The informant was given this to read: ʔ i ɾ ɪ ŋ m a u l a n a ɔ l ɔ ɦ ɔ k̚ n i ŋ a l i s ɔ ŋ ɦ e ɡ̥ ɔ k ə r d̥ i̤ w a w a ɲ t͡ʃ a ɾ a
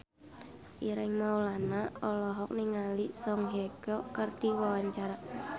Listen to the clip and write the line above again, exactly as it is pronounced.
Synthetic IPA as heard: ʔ i ɾ ɪ ŋ m a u l a n a ɔ l ɔ ɦ ɔ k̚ n i ŋ a l i s ɔ ŋ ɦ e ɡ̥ ɔ k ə r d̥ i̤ w a w a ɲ t͡ʃ a ɾ a